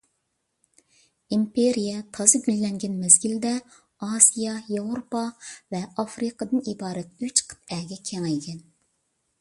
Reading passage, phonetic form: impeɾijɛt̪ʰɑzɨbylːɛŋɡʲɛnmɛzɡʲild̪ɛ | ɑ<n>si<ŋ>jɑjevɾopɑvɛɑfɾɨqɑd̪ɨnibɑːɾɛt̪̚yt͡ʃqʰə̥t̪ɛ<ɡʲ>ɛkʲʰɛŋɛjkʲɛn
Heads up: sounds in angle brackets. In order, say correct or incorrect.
incorrect, incorrect, correct

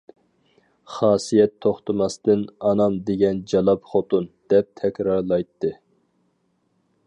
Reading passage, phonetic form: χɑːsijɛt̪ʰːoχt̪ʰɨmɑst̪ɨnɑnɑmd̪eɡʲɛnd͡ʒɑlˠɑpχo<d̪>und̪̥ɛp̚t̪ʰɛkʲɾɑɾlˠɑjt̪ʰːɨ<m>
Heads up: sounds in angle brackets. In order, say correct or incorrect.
incorrect, incorrect

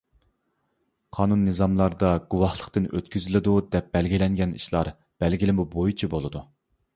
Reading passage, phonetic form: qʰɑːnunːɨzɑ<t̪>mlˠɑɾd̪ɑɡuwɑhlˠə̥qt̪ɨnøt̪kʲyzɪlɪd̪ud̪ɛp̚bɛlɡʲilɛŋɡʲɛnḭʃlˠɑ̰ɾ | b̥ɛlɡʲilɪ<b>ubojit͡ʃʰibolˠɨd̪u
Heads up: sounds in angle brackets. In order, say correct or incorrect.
incorrect, incorrect

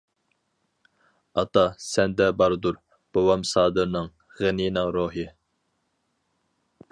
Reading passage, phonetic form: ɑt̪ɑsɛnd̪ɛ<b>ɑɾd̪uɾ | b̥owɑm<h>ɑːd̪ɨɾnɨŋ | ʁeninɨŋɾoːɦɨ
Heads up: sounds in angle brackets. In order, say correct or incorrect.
correct, incorrect

